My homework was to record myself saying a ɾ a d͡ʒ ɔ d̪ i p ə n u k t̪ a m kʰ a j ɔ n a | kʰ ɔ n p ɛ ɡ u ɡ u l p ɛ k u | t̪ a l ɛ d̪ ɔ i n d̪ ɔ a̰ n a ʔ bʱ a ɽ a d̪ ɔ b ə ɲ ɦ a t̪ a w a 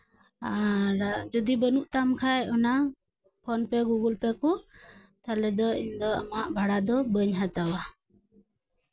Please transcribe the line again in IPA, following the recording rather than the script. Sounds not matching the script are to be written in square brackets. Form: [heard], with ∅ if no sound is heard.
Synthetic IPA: a ɾ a d͡ʒ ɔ d̪ i [b] ə n u [ʔ] t̪ a m kʰ a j ɔ n a | [pʰ] ɔ n p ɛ ɡ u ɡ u l p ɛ k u | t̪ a l ɛ d̪ ɔ i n d̪ ɔ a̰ [m] a ʔ bʱ a ɽ a d̪ ɔ b ə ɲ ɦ a t̪ a w a